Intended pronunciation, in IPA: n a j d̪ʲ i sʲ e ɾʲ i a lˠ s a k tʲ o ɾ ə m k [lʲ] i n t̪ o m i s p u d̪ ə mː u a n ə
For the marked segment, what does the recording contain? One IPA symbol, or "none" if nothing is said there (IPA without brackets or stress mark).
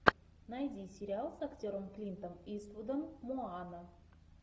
lʲ